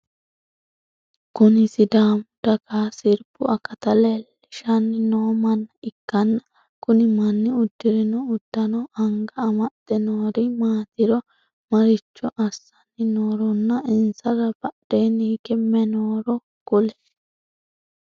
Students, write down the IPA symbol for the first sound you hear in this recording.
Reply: k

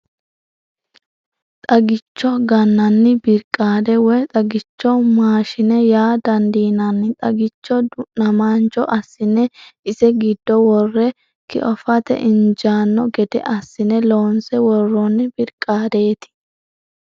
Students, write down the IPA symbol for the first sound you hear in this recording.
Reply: t̪ʼ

